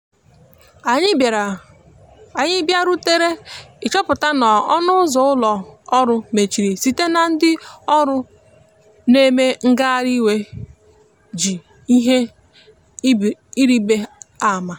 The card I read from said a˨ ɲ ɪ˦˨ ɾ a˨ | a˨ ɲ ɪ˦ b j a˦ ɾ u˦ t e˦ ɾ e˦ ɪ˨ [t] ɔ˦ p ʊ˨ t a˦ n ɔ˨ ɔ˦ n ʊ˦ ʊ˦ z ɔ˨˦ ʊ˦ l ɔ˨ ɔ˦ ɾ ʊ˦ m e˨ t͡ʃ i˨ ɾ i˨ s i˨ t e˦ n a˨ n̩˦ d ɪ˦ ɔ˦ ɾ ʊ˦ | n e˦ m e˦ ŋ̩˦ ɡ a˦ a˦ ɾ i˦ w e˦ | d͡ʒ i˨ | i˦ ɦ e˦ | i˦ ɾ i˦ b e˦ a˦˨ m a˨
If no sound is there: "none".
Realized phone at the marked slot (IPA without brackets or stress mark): t͡ʃ